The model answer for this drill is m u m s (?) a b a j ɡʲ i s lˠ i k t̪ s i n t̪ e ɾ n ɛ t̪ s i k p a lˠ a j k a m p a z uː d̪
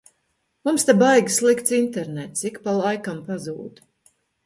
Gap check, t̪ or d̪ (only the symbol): t̪